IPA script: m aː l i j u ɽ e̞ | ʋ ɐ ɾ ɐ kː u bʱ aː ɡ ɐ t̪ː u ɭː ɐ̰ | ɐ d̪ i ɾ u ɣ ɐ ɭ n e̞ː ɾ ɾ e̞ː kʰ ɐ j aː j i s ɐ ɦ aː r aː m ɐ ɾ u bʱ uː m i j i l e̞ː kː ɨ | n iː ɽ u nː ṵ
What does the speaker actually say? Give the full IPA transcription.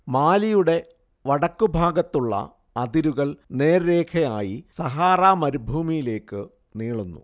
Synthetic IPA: m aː l i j u ɽ e̞ | ʋ ɐ ɽ ɐ kː u bʱ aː ɡ ɐ t̪ː u ɭː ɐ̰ | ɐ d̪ i ɾ u ɣ ɐ ɭ n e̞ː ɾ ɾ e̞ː kʰ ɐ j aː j i s ɐ ɦ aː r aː m ɐ ɾ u bʱ uː m i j i l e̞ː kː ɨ | n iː ɭ u nː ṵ